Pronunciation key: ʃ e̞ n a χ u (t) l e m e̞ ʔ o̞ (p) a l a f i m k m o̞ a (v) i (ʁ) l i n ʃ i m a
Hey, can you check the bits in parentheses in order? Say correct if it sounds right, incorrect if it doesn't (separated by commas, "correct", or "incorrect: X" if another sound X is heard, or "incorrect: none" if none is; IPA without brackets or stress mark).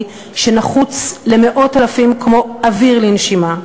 incorrect: t͡s, incorrect: t, correct, correct